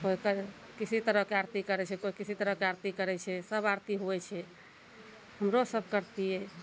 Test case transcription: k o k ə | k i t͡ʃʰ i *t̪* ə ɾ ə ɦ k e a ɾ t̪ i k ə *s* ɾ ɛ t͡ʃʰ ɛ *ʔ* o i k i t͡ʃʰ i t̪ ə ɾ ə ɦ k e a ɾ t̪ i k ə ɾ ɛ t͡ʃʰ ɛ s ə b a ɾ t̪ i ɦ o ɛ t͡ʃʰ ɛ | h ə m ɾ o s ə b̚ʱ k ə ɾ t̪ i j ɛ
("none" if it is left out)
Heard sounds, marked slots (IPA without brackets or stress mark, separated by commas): t̪, none, k